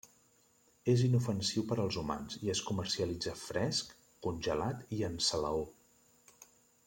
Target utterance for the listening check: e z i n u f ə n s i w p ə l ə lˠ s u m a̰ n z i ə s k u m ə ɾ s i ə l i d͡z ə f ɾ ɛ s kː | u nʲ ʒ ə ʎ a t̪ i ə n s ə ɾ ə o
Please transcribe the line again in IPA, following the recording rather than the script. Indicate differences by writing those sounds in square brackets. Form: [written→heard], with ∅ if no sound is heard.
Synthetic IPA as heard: e z i n u f ə n s i w p ə [l→ɾ] ə lˠ [s→z] u m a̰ n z i ə s k u m ə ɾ s i ə l i d͡z ə f ɾ ɛ s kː | u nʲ ʒ ə [ʎ→l] a t̪ i ə n s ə [ɾ→l] ə o